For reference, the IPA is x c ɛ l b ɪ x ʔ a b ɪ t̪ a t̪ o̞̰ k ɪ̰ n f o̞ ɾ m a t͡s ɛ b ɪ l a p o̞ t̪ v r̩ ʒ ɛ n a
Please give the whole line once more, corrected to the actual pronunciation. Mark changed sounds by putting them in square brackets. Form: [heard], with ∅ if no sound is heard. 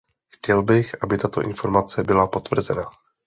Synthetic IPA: x c ɛ l b ɪ x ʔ a b ɪ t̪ a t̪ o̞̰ [ʔ] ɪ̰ n f o̞ ɾ m a t͡s ɛ b ɪ l a p o̞ t̪ v r̩ [z] ɛ n a